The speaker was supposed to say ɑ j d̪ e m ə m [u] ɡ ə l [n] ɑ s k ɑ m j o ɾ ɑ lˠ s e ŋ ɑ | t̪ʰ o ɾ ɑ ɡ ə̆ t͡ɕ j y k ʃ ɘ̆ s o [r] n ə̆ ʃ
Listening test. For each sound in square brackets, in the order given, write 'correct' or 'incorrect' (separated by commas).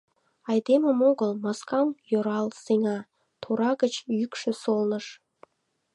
incorrect, incorrect, incorrect